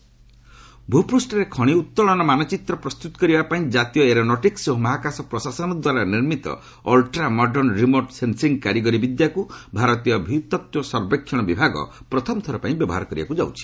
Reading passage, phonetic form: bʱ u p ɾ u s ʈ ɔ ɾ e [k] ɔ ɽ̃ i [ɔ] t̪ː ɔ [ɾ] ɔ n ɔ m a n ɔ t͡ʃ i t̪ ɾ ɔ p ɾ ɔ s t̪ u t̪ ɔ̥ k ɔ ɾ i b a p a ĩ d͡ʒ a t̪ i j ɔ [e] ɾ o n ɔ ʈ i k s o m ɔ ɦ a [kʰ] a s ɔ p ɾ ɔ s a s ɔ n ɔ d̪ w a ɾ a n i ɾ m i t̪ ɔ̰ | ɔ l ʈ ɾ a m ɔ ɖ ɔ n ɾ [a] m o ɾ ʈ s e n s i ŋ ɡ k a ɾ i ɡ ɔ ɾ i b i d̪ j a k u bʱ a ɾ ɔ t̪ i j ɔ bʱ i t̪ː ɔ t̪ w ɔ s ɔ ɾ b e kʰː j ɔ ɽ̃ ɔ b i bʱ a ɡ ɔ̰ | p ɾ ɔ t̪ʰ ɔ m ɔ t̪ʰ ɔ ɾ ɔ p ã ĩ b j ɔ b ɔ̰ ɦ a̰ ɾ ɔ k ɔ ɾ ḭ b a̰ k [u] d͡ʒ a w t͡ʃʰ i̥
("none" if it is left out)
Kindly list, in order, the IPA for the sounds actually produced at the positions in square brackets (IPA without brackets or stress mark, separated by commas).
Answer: kʰ, u, ɭ, e, k, i, u